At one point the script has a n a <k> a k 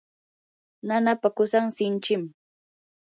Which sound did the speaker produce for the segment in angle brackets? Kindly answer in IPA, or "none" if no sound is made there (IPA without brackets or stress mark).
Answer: p